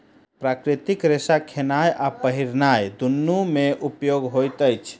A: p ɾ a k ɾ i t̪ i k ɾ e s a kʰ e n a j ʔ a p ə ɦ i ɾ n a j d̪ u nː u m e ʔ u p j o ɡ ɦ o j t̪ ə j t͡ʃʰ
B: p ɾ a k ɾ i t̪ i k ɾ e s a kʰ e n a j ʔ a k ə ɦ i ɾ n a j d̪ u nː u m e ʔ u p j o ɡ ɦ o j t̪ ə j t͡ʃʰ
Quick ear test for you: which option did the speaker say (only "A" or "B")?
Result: A